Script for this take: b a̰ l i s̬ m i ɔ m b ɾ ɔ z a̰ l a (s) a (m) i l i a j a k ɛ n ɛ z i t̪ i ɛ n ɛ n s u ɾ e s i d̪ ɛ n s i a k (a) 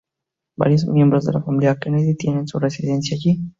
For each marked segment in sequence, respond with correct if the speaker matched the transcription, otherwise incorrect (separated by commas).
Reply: incorrect, correct, incorrect